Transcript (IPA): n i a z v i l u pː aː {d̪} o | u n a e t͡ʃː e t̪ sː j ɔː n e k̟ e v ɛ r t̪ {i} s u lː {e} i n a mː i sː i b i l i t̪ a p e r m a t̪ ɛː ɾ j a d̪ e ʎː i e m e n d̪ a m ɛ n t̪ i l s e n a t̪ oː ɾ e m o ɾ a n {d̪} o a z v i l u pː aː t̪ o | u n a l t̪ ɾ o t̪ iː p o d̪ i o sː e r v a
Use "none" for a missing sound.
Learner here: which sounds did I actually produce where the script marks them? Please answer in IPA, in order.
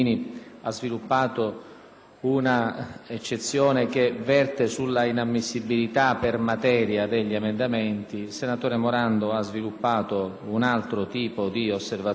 t̪, e, a, d̪

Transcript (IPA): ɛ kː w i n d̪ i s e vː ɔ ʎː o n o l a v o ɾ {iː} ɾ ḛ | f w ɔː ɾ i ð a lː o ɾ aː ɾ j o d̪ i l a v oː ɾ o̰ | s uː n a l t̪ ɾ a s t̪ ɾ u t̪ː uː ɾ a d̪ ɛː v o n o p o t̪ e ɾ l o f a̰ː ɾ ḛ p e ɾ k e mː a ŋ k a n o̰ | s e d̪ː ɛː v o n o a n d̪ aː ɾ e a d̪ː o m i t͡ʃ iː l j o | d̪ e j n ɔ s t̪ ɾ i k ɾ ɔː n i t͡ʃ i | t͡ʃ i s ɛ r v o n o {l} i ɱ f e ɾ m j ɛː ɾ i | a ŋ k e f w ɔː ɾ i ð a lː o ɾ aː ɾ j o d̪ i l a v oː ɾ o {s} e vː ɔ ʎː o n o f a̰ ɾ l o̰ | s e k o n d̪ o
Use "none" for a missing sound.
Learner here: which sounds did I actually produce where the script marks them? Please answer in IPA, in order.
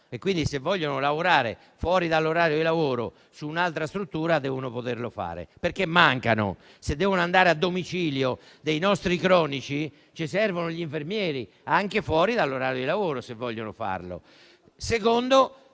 aː, ʎ, s

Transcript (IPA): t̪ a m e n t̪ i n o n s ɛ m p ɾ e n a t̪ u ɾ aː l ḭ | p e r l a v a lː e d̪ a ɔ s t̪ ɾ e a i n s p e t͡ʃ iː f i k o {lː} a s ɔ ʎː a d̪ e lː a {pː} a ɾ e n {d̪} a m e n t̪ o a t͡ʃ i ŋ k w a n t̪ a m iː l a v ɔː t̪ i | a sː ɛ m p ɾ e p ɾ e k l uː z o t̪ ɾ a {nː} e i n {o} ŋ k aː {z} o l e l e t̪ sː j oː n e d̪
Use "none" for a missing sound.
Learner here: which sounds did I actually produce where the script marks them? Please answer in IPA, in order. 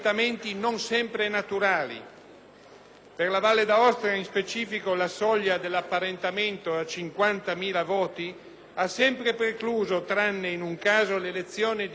l, pː, t̪, nː, u, z

